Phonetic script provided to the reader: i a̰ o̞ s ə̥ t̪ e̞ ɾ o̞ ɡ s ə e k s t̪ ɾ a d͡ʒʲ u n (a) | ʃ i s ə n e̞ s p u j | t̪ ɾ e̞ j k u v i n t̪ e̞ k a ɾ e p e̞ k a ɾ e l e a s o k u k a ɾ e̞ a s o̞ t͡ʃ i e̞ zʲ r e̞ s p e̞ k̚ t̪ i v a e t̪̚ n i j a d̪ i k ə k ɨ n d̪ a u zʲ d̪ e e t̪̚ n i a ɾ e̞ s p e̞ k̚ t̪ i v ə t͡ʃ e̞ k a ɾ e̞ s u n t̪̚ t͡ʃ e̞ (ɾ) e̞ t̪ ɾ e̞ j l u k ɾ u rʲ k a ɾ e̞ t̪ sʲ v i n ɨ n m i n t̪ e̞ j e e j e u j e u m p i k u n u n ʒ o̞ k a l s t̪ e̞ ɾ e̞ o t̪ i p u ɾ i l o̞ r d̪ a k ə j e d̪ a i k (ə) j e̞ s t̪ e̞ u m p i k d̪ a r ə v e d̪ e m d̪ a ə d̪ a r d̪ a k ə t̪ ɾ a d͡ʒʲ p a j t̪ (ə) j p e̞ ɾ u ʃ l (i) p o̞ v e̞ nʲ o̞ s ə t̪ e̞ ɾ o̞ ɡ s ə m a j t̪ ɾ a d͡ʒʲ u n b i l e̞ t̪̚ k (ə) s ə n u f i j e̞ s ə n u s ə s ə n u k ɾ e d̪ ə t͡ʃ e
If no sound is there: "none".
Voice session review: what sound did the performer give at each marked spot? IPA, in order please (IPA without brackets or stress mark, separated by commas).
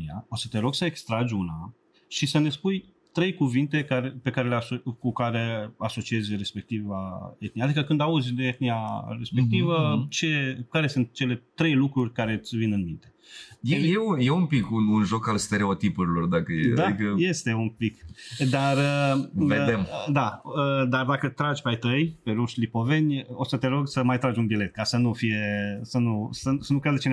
a, l, ə, ə, i, a